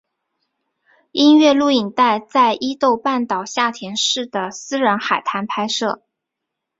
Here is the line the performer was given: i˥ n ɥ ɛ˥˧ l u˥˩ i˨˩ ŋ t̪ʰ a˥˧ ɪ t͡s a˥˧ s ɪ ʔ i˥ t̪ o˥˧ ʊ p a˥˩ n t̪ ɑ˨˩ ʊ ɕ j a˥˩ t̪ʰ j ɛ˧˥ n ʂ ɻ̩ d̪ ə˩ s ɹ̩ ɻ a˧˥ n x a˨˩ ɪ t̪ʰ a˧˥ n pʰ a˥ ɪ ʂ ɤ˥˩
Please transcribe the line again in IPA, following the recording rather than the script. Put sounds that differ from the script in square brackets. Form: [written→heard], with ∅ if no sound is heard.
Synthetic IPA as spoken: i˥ n ɥ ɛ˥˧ l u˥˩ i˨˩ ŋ [t̪ʰ→t̪] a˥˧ ɪ t͡s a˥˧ [s→∅] ɪ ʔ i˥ t̪ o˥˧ ʊ p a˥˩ n t̪ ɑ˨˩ ʊ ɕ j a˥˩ t̪ʰ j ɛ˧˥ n ʂ ɻ̩ d̪ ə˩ s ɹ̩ ɻ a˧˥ n x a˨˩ ɪ t̪ʰ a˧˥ n pʰ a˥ ɪ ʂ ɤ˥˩